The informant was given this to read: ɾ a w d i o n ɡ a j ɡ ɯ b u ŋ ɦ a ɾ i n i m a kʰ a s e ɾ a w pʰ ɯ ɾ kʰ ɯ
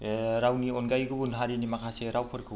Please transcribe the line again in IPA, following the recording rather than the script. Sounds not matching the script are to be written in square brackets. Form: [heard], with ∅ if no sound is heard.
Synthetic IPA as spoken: ɾ a w [n] i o n ɡ a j ɡ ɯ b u [n] ɦ a ɾ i n i m a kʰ a s e ɾ a w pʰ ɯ ɾ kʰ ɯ